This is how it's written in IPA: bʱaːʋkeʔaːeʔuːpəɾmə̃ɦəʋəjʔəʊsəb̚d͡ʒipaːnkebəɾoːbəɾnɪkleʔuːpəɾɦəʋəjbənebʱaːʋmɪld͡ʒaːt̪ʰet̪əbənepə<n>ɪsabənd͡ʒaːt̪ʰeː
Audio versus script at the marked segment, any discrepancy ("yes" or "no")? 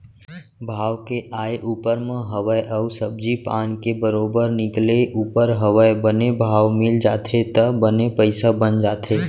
yes